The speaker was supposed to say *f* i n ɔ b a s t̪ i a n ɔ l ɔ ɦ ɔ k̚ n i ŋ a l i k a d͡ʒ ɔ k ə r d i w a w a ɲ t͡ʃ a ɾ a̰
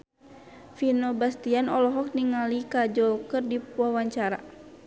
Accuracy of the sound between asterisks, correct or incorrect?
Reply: correct